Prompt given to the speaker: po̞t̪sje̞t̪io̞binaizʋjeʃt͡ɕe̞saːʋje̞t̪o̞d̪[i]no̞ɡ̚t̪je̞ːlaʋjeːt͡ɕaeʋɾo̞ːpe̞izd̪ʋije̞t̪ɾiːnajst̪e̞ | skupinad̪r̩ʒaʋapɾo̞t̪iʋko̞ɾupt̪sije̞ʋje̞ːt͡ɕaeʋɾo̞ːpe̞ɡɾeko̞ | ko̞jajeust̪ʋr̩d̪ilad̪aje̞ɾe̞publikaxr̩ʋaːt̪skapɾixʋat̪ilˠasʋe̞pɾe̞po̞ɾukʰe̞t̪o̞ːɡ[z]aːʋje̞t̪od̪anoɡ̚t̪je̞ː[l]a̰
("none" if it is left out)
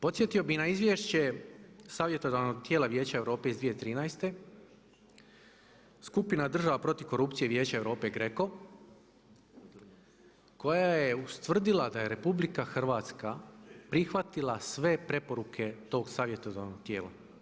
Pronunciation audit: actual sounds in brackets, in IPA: a, s, l

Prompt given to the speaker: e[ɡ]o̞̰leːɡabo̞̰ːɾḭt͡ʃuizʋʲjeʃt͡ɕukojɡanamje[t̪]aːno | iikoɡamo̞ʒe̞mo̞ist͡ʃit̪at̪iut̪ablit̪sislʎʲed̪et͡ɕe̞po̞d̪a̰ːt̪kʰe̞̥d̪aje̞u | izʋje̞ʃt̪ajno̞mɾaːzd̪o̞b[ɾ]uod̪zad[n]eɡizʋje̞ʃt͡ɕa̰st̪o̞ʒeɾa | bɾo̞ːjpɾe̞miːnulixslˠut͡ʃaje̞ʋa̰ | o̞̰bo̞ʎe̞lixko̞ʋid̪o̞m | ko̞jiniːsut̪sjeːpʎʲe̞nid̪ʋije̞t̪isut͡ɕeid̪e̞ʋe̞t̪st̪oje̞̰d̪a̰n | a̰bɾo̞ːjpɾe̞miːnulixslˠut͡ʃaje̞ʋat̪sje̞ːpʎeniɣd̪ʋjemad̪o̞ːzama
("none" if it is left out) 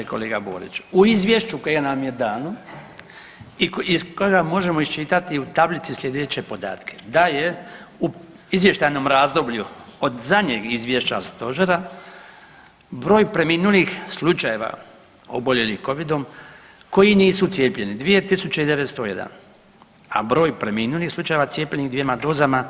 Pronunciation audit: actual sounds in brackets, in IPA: k, d̪, ʎ, ɲ

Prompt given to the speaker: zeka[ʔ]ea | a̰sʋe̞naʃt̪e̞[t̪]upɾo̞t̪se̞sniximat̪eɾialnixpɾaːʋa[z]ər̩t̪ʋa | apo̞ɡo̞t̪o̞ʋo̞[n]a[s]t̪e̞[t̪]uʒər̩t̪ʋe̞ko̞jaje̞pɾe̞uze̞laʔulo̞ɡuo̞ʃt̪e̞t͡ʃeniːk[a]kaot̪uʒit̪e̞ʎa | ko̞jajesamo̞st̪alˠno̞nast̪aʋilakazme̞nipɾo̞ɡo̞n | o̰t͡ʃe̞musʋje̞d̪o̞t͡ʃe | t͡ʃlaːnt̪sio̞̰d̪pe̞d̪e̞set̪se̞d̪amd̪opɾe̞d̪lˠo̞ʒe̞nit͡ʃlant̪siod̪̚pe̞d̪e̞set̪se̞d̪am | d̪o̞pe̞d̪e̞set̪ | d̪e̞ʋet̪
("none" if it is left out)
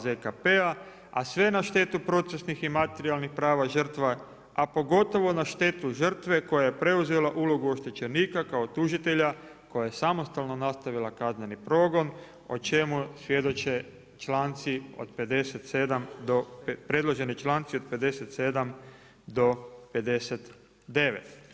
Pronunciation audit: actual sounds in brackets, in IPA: p, t̪, ʒ, n, ʃ, t̪, a

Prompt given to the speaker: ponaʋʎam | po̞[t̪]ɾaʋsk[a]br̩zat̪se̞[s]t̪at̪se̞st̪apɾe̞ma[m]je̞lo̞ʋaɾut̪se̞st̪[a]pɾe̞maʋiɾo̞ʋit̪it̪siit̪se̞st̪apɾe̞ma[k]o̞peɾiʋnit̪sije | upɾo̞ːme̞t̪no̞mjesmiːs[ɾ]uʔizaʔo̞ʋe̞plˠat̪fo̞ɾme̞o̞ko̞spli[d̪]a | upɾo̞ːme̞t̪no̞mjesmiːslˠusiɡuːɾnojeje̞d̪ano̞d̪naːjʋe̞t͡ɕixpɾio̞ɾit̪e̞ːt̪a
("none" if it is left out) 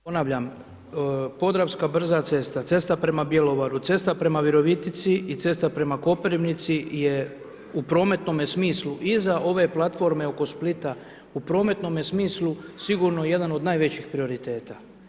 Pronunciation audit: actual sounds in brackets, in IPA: d̪, a, s, b, a, k, l, t̪

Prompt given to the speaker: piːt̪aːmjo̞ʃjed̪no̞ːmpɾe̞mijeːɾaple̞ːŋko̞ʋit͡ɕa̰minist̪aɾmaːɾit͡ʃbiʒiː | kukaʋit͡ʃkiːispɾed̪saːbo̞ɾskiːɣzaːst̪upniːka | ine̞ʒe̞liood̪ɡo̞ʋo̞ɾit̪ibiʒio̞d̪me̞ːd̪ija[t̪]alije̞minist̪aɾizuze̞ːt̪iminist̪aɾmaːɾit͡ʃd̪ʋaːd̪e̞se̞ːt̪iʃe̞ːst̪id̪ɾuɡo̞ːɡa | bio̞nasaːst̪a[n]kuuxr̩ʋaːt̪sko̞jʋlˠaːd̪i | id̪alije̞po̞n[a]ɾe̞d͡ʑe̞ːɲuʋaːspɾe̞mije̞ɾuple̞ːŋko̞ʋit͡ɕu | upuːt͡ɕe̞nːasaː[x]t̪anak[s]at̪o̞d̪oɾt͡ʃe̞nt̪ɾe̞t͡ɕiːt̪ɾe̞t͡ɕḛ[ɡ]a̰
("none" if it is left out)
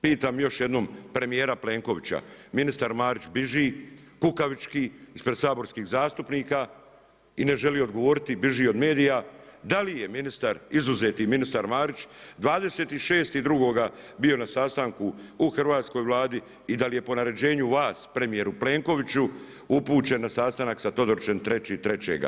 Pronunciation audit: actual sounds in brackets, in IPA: d̪, ŋ, a, s, s, ɡ

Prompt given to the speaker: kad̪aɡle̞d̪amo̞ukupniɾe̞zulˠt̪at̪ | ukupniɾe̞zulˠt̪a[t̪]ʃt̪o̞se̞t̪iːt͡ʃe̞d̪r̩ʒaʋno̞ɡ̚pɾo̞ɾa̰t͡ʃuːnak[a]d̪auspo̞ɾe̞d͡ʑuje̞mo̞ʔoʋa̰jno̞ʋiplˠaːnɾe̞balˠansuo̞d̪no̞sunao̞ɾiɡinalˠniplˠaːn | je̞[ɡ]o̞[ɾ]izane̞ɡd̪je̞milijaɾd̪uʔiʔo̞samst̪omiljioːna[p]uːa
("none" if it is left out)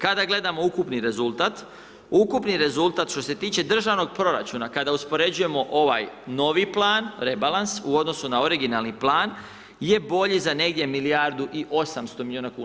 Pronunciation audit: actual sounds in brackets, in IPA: t̪, a, b, ʎ, k

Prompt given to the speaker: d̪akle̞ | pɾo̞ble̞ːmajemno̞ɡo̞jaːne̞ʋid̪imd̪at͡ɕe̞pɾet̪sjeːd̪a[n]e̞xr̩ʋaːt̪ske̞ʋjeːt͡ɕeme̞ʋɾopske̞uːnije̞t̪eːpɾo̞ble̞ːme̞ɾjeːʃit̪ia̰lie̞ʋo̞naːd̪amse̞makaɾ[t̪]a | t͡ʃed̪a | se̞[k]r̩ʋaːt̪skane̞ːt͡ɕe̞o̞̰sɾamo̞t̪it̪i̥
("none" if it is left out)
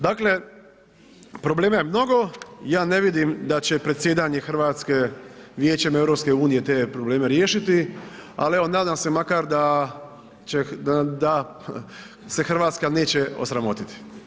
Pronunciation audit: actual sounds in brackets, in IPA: ɲ, d̪, x

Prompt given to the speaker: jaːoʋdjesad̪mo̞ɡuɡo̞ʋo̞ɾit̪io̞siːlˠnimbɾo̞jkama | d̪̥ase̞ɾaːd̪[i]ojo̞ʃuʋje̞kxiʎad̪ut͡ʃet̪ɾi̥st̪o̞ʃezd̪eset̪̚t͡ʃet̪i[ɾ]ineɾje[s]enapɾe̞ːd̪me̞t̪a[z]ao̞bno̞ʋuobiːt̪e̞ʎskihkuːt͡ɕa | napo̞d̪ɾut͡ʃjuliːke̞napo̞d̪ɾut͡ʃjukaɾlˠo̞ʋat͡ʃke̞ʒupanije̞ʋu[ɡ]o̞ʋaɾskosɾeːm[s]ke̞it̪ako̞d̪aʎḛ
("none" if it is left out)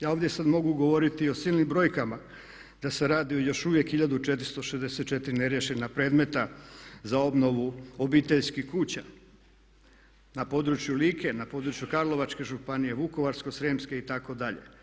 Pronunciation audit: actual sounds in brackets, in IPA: i, ɾ, ʃ, z, k, s

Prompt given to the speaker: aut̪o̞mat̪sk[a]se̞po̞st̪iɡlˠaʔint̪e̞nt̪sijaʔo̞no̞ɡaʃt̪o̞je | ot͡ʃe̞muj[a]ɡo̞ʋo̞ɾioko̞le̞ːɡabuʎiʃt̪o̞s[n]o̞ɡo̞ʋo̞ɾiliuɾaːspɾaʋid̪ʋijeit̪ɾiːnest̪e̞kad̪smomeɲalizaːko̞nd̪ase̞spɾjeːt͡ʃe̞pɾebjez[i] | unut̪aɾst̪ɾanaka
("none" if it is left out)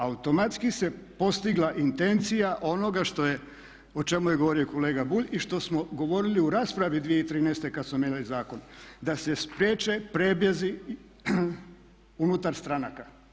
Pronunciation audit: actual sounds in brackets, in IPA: i, e, m, i

